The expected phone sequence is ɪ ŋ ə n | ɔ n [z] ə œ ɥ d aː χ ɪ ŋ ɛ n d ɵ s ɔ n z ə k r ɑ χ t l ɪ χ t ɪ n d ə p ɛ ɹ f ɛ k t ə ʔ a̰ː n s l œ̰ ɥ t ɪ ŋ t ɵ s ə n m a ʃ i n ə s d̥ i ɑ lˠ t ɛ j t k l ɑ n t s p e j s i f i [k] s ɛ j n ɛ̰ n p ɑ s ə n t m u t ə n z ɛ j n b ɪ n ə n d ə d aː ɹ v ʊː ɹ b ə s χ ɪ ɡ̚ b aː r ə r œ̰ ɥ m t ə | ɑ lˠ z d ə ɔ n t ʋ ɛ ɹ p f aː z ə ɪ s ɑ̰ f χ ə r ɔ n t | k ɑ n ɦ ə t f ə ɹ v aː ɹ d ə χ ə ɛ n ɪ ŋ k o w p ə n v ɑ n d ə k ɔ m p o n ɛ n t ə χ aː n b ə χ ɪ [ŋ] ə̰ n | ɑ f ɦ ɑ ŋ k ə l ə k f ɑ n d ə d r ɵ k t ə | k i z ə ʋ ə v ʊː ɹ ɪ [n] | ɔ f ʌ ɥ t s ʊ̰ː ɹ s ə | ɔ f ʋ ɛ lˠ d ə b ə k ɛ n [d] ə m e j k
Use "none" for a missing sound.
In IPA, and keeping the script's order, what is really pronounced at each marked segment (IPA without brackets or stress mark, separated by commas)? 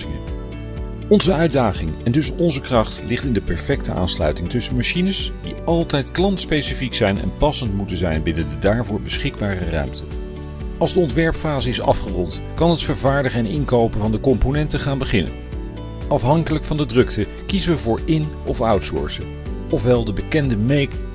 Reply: z, k, n, n, d